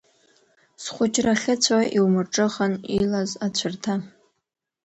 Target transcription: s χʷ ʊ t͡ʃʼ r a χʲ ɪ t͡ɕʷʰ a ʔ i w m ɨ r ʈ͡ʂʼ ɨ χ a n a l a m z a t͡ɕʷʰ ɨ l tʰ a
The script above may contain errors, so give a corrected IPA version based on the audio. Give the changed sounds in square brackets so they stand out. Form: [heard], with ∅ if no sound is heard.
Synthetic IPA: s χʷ ʊ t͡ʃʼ r a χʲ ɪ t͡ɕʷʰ a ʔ i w m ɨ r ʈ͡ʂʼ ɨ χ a n [i] l a [∅] z a t͡ɕʷʰ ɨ [r] tʰ a